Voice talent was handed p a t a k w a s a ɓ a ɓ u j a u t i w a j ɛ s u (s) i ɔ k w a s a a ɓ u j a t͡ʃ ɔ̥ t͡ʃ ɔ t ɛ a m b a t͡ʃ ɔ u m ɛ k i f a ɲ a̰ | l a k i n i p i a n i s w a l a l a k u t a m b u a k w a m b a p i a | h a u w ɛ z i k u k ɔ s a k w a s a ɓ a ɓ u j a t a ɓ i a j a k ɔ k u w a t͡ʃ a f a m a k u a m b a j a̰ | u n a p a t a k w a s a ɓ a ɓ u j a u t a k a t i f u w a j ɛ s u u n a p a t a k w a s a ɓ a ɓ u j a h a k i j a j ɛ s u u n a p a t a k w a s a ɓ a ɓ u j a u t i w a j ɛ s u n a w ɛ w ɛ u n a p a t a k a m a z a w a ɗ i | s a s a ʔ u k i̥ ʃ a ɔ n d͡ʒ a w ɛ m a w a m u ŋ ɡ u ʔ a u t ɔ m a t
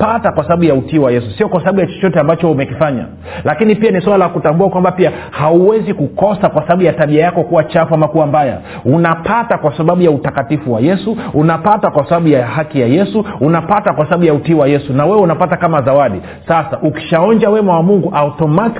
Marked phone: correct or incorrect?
correct